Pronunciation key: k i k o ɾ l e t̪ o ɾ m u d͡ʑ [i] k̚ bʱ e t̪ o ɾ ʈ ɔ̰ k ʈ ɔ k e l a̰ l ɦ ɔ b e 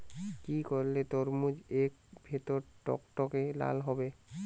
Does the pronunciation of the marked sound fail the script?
yes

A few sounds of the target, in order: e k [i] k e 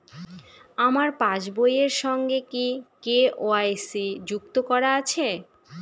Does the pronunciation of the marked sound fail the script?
no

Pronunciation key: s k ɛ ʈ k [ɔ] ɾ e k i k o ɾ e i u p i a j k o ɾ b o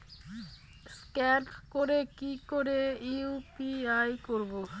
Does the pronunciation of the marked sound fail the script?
yes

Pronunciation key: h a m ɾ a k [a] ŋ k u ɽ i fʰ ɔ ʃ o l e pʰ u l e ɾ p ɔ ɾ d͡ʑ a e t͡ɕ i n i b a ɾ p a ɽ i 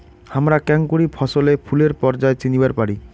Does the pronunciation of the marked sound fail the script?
yes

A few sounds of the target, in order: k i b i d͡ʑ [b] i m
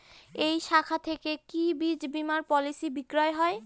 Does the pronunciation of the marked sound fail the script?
no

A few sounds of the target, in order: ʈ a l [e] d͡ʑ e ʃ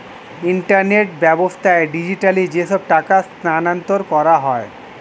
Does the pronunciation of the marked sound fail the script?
yes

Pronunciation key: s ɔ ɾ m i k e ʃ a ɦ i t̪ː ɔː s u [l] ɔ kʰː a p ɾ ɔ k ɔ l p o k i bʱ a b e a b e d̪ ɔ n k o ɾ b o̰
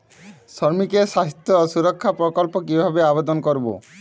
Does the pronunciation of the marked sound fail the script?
yes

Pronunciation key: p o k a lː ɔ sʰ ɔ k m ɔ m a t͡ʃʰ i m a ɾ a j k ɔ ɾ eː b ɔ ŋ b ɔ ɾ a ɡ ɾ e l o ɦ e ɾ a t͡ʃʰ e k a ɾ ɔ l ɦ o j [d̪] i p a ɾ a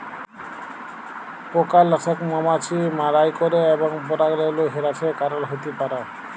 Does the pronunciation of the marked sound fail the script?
yes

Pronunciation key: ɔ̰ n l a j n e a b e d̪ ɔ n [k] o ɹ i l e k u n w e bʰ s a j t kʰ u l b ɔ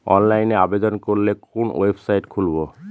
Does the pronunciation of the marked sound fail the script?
no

